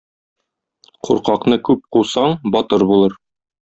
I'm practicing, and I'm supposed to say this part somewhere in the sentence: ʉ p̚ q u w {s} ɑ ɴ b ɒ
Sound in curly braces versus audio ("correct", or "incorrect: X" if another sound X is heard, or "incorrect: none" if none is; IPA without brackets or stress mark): correct